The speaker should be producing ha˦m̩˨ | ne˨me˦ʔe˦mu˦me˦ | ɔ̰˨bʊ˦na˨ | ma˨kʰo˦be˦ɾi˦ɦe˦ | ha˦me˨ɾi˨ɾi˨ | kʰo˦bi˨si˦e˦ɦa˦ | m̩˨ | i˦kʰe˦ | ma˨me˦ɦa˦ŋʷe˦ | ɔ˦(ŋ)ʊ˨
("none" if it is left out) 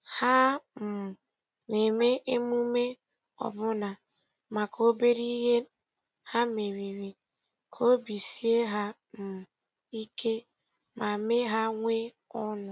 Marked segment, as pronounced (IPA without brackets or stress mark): n